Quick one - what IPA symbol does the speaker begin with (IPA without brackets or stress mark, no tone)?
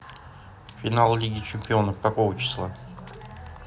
fʲ